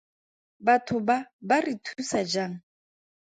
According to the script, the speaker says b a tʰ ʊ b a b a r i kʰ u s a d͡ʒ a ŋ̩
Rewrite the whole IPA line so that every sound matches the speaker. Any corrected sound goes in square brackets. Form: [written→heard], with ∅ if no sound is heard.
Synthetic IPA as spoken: b a tʰ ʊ b a b a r i [kʰ→tʰ] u s a d͡ʒ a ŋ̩